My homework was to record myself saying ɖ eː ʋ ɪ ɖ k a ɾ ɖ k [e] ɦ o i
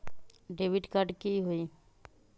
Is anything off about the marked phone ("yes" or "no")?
yes